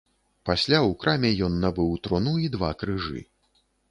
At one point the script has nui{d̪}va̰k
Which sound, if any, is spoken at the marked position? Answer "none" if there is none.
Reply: d̪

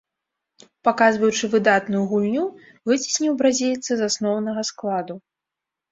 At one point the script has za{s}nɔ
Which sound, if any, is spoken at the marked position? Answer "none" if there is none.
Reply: s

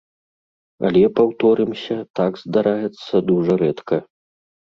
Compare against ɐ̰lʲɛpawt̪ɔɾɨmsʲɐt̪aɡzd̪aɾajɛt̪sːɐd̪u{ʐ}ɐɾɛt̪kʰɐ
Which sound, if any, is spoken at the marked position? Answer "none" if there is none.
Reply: ʐ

